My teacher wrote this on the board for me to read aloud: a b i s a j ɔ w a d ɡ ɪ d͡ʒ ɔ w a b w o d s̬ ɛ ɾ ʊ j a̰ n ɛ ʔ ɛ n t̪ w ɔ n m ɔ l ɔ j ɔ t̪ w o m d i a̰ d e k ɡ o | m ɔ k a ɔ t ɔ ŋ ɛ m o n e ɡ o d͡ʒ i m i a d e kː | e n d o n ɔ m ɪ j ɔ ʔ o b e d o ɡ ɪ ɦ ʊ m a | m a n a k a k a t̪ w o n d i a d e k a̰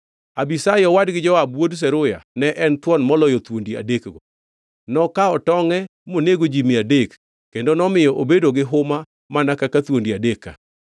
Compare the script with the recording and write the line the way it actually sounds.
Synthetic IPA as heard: a b i s a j ɔ w a d ɡ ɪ d͡ʒ ɔ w a b w o d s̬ ɛ ɾ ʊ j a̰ n ɛ ʔ ɛ n t̪ w ɔ n m ɔ l ɔ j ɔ t̪ w o n d i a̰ d e k ɡ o | n ɔ k a ɔ t ɔ ŋ ɛ m o n e ɡ o d͡ʒ i m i a d e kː | e n d o n ɔ m ɪ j ɔ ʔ o b e d o ɡ ɪ ɦ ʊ m a | m a n a k a k a t̪ w o n d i a d e k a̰